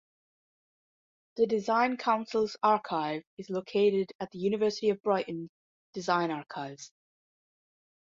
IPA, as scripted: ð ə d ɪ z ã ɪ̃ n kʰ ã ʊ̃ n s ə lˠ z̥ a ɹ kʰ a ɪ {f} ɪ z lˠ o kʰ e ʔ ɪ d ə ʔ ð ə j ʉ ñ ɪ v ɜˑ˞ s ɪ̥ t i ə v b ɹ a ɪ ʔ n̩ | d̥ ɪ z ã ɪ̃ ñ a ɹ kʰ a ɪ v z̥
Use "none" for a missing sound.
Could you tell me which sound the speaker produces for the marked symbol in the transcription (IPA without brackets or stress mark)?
v